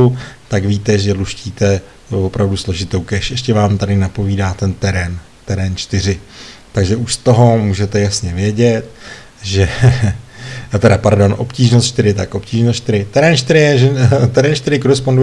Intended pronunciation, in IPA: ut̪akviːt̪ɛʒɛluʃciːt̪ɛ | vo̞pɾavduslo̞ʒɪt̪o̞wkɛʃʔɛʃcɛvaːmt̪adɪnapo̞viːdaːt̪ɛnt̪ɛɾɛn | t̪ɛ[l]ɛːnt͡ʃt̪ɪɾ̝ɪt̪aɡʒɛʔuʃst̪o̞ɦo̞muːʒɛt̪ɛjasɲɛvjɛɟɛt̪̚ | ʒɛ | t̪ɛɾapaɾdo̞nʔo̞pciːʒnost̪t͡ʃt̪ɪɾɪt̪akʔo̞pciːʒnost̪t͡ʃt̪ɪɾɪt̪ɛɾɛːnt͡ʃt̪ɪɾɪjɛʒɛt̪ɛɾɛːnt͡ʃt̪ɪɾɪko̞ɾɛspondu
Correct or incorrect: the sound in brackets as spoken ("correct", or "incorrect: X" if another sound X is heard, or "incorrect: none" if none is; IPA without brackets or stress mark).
incorrect: ɾ